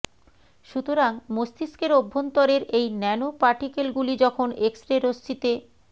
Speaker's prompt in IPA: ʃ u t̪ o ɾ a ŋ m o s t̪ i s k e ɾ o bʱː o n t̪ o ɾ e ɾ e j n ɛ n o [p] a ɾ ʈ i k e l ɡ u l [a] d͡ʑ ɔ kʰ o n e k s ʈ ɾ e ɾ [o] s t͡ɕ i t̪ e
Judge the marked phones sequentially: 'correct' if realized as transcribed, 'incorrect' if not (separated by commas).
correct, incorrect, correct